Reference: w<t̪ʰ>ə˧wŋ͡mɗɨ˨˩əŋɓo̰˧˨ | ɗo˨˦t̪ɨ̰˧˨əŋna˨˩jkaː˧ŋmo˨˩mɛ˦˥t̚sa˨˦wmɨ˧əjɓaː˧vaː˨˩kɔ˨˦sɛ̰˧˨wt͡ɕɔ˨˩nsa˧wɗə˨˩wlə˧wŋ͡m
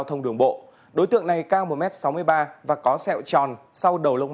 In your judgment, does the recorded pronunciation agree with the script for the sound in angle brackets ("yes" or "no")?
yes